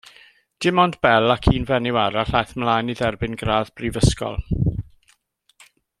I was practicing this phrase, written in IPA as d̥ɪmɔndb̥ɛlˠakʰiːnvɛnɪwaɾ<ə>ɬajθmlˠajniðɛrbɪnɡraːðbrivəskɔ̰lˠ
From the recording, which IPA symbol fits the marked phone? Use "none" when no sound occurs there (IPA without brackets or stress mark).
a